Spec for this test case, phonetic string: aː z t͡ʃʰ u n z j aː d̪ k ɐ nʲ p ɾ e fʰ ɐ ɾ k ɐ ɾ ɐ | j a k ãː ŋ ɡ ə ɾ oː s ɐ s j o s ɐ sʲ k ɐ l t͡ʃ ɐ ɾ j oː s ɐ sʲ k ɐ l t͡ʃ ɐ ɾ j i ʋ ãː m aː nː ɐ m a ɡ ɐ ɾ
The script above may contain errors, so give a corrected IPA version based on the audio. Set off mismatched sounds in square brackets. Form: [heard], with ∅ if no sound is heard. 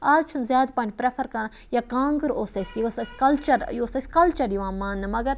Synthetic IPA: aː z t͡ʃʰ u n z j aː d̪ [p] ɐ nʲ p ɾ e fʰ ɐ ɾ k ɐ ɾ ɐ | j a k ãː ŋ ɡ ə ɾ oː s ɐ s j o s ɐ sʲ k ɐ l t͡ʃ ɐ ɾ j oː s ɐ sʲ k ɐ l t͡ʃ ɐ ɾ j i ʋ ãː m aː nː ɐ m [ɐ] ɡ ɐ ɾ